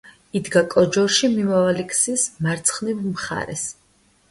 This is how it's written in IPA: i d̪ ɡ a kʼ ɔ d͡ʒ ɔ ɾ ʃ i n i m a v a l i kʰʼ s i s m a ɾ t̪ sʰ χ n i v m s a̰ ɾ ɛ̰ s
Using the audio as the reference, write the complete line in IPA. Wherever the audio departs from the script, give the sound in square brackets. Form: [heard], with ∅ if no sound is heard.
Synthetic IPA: i d̪ ɡ a kʼ ɔ d͡ʒ ɔ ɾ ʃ i [m] i m a v a l i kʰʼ s i s m a ɾ t̪ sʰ χ n i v m [χ] a̰ ɾ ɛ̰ s

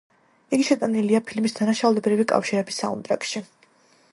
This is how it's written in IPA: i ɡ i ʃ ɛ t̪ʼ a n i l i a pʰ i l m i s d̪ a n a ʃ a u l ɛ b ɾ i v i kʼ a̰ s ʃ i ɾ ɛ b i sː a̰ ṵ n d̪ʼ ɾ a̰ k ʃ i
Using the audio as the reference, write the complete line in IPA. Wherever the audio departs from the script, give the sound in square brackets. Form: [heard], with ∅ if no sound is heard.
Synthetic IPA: i ɡ i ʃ ɛ t̪ʼ a n i l i a pʰ i l m i s d̪ a n a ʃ a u l ɛ b ɾ i v i kʼ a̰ [f] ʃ i ɾ ɛ b i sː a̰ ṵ n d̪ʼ ɾ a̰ k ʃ i

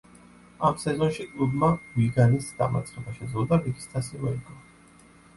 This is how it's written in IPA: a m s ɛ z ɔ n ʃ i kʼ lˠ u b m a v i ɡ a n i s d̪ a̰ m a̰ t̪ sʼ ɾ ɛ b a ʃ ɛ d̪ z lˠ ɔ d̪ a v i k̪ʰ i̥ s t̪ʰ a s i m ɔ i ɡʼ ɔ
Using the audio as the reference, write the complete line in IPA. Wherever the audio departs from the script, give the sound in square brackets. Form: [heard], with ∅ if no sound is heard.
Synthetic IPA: a m s ɛ z ɔ n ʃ i kʼ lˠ u b m a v i ɡ a n i s d̪ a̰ m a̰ t̪ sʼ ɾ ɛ b a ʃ ɛ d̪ z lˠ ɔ d̪ a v i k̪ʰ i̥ s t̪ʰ a s i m ɔ i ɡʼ ɔ

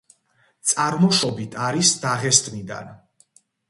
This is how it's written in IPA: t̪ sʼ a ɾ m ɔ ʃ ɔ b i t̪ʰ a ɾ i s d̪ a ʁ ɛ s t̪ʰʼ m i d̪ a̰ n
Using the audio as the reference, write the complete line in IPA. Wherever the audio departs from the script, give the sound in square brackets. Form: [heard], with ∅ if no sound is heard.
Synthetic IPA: t̪ sʼ a ɾ m ɔ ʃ ɔ b i t̪ʰ a ɾ i s d̪ a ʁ ɛ s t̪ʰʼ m i d̪ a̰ n

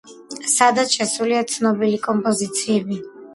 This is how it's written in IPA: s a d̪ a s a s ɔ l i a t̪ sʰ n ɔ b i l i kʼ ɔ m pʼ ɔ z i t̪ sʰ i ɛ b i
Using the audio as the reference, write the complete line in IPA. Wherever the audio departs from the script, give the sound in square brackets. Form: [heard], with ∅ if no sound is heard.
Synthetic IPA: s a d̪ a [ʃ] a s [u] l i a t̪ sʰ n ɔ b i l i kʼ ɔ m pʼ ɔ z i t̪ sʰ i ɛ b i

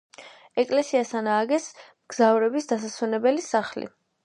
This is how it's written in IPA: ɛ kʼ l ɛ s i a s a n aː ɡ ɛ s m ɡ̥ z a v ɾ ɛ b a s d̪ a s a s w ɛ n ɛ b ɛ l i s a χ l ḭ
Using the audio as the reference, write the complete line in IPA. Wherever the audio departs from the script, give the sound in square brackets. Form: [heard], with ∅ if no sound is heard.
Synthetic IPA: ɛ kʼ l ɛ s i a s a n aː ɡ ɛ s m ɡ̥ z a v ɾ ɛ b [i] s d̪ a s a s w ɛ n ɛ b ɛ l i s a χ l ḭ

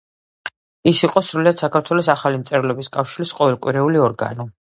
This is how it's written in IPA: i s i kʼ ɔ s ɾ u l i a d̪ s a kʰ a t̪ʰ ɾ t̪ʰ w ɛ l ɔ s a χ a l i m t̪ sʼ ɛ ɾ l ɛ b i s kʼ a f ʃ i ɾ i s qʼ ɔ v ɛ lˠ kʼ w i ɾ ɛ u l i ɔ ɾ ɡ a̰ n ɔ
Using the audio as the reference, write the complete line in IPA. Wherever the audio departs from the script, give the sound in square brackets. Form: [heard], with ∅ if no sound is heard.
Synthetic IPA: i s i [qʼ] ɔ s ɾ u l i a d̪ s a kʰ a [∅] ɾ t̪ʰ w ɛ l ɔ s a χ a l i m t̪ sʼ ɛ ɾ l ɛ b i s kʼ a f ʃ i ɾ i s qʼ ɔ v ɛ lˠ kʼ w i ɾ ɛ u l i ɔ ɾ ɡ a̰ n ɔ

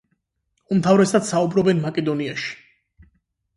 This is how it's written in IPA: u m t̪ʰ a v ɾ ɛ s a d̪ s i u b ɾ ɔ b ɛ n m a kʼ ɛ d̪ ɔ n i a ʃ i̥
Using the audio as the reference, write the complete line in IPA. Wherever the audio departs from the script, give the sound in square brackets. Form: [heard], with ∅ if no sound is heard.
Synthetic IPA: u m t̪ʰ a v ɾ ɛ s a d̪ s [a] u b ɾ ɔ b ɛ n m a kʼ ɛ d̪ ɔ n i a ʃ i̥

